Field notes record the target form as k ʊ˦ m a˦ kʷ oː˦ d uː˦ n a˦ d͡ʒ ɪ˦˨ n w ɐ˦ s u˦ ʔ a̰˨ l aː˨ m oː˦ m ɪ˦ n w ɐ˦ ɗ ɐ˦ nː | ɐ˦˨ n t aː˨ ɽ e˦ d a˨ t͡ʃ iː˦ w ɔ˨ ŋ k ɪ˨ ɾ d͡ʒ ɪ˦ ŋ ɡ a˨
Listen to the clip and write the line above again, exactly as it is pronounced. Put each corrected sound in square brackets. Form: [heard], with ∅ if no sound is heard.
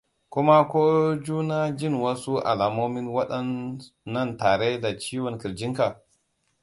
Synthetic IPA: k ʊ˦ m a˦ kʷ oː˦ [d͡ʒ] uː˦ n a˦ d͡ʒ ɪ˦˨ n w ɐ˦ s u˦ ʔ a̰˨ l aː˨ m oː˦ m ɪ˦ n w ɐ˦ ɗ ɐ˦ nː | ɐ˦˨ n t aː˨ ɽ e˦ d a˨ t͡ʃ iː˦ w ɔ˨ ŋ k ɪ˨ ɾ d͡ʒ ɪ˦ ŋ [k] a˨